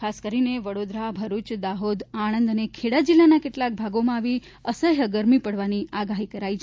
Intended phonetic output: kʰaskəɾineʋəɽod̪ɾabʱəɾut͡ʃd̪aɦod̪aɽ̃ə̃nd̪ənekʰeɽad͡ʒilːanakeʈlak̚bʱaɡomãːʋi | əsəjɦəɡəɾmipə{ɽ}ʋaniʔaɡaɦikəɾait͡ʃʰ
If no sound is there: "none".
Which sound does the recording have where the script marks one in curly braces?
ɽ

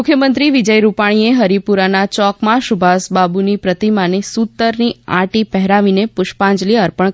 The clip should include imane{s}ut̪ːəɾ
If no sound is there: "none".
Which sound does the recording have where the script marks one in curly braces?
s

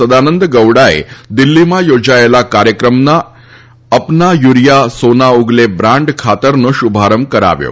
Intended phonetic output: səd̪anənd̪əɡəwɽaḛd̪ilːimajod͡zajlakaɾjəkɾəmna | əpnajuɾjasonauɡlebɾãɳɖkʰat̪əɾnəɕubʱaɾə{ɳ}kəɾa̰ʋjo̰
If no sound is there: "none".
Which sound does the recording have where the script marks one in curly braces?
m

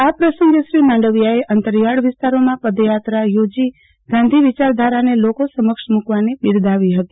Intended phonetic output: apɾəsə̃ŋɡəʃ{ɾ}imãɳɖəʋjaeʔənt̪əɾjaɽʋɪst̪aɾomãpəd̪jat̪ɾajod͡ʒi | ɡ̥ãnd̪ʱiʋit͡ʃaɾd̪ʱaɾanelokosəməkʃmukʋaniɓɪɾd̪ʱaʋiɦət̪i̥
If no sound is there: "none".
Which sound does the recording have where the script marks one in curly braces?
ɾ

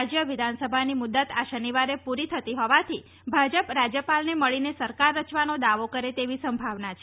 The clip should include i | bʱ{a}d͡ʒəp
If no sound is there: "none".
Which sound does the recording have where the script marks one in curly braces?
a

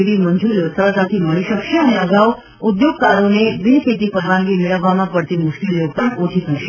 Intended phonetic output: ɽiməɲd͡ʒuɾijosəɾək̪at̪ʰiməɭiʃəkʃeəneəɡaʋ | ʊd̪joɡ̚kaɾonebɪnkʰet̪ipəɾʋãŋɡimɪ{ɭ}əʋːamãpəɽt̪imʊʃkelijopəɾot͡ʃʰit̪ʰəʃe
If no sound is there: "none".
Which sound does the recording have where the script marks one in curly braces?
ɭ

